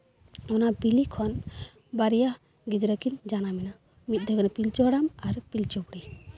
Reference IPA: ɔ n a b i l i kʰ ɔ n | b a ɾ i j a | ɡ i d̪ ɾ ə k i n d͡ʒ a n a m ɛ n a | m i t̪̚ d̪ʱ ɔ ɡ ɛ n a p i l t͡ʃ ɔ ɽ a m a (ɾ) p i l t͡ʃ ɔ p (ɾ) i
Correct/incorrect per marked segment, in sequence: correct, incorrect: ɽ

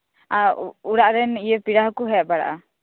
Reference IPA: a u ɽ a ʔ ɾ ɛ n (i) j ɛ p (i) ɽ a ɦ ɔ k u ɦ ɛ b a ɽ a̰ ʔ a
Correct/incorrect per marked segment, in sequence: correct, correct

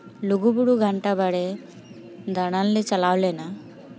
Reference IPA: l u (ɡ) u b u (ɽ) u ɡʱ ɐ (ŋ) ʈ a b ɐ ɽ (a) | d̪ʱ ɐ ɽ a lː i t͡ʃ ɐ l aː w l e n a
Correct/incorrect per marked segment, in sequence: correct, correct, incorrect: ɳ, incorrect: e

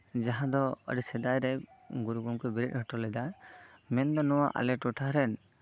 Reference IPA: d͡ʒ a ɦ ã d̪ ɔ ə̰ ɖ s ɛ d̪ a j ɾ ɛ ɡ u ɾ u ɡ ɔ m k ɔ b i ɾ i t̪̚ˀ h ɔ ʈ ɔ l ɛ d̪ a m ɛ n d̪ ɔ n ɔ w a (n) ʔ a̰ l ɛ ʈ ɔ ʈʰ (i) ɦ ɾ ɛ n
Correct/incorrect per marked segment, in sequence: incorrect: none, incorrect: a

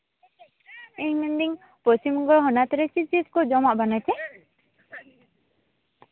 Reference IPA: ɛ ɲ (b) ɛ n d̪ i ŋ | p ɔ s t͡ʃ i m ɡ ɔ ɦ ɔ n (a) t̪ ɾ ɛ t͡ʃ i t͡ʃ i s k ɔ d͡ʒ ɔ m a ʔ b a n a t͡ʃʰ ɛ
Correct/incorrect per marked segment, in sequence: incorrect: m, correct

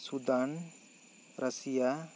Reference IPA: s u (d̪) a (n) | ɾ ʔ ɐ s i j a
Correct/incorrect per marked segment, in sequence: correct, correct

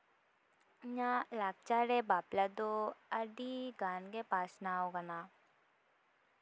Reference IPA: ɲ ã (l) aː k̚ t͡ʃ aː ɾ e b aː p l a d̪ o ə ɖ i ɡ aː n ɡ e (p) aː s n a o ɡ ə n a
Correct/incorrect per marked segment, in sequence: correct, correct

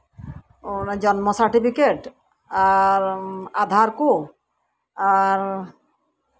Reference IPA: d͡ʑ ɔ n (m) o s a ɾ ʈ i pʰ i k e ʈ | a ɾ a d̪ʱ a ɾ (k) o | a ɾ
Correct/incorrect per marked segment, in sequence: correct, correct

